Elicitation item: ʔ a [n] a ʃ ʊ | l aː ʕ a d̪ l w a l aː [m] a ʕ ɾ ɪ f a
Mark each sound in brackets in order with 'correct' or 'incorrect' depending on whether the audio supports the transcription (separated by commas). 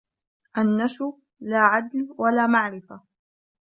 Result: incorrect, correct